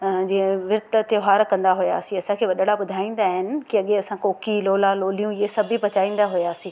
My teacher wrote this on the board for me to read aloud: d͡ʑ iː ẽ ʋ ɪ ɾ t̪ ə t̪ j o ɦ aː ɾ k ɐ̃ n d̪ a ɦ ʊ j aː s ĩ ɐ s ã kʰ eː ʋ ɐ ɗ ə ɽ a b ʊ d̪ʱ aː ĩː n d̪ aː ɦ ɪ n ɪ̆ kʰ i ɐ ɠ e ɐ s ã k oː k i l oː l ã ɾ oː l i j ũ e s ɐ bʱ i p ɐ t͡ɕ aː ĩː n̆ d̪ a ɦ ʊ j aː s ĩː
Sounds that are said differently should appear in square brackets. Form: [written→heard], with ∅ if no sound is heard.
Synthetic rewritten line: d͡ʑ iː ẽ ʋ ɪ ɾ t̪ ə t̪ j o ɦ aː ɾ k ɐ̃ n d̪ a ɦ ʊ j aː s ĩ ɐ s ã kʰ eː ʋ ɐ ɗ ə ɽ a b ʊ d̪ʱ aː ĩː n d̪ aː ɦ ɪ n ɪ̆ [kʰ→k] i ɐ ɠ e ɐ s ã k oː k i l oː l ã [ɾ→l] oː l i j ũ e s ɐ bʱ i p ɐ t͡ɕ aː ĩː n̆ d̪ a ɦ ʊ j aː s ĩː